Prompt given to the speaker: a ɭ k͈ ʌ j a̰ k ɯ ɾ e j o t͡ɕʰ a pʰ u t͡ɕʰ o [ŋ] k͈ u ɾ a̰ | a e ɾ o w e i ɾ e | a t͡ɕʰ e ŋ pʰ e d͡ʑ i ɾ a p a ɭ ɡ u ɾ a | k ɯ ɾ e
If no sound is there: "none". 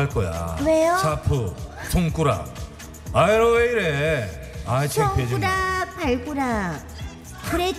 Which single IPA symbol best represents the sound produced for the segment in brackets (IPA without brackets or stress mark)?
ŋ